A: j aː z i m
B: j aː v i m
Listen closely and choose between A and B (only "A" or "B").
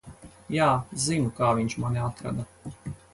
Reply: A